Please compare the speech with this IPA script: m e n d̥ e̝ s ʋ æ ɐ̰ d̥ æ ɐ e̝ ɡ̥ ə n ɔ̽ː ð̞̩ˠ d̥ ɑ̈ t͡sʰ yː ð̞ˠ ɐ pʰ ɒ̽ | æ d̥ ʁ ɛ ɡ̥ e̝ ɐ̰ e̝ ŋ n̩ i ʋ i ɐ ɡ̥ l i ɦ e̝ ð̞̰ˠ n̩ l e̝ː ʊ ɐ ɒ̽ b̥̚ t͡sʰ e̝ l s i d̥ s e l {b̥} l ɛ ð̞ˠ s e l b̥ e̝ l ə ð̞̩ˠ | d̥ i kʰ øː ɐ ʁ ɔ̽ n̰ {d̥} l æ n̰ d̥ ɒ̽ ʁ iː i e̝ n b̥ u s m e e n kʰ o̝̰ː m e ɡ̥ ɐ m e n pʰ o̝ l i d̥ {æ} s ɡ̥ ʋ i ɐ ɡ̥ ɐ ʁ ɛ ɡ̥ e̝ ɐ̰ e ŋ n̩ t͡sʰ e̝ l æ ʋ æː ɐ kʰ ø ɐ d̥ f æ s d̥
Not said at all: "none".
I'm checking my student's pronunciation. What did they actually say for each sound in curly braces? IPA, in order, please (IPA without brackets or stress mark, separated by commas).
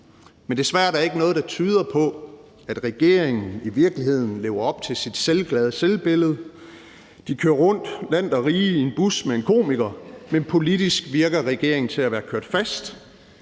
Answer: ɡ̥, d̥, i